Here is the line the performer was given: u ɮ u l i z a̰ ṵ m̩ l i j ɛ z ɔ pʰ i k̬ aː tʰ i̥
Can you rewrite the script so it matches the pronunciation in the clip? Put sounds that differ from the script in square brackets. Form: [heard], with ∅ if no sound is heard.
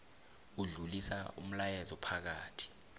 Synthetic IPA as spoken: u ɮ u l i [s] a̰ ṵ m̩ l [a] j ɛ z ɔ pʰ [a] k̬ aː tʰ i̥